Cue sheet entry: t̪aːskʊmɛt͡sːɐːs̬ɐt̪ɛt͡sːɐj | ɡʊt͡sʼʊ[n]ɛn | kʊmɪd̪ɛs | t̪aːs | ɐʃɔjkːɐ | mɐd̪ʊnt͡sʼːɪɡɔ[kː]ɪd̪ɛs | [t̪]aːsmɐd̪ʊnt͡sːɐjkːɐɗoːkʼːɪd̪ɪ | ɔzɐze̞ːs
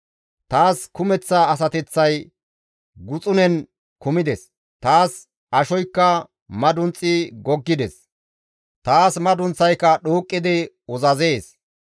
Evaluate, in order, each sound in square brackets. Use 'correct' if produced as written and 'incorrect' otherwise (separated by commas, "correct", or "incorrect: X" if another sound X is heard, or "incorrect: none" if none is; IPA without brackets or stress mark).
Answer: correct, incorrect: ɡː, correct